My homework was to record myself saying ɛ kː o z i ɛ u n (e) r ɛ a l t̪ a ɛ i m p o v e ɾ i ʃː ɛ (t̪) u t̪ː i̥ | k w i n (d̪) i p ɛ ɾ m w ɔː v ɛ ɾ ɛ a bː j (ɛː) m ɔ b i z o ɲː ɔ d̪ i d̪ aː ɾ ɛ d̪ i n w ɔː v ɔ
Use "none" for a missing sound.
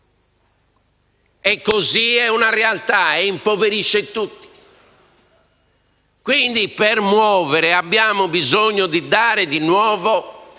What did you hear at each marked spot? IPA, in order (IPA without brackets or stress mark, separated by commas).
a, t̪, d̪, aː